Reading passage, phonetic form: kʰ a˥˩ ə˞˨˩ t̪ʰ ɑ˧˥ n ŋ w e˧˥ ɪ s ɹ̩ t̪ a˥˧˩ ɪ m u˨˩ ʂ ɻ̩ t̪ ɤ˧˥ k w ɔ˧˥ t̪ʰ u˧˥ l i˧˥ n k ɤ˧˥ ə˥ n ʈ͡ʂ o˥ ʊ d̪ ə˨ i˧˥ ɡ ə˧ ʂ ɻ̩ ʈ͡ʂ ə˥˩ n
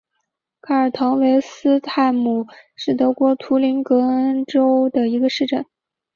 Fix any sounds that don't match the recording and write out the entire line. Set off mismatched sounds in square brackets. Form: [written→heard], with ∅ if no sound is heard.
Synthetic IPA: kʰ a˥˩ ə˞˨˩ t̪ʰ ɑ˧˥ [n→∅] ŋ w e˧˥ ɪ s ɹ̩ [t̪→t̪ʰ] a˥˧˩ ɪ m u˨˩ ʂ ɻ̩ t̪ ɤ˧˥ k w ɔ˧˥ t̪ʰ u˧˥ l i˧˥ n k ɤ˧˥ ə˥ n ʈ͡ʂ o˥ ʊ d̪ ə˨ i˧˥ ɡ ə˧ ʂ ɻ̩ ʈ͡ʂ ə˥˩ n